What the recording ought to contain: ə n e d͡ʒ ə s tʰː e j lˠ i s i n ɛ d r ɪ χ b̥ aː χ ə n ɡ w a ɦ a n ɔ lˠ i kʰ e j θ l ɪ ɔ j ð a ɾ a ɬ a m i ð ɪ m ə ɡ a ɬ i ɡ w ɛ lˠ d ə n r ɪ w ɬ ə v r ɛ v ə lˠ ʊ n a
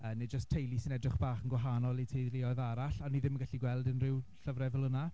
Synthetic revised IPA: ə n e d͡ʒ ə s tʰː e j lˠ i s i n ɛ d r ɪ χ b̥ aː χ ə n ɡ w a ɦ a n ɔ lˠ i tʰ e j ð l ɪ ɔ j ð a ɾ a ɬ a n i ð ɪ m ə ɡ a ɬ i ɡ w ɛ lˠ d ə n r ɪ w ɬ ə v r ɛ v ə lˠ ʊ n a